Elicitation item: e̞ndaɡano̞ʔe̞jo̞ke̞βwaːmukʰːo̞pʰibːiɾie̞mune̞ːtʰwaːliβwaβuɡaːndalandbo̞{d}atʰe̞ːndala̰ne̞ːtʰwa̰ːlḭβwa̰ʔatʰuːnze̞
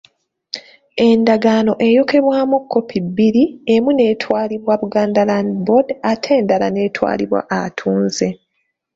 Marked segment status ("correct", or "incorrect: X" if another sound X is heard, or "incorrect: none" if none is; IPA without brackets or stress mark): correct